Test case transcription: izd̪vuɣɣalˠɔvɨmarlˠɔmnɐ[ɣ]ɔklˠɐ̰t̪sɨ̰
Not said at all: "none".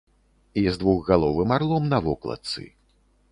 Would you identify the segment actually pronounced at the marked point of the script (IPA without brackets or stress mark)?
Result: v